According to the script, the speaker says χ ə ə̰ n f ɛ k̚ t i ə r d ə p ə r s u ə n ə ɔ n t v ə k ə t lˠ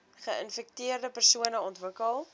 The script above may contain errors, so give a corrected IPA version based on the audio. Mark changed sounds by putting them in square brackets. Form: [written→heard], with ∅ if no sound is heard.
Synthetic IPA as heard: χ ə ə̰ n f ɛ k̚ t i ə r d ə p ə r s u ə n ə ɔ n t v ə k ə [t→∅] lˠ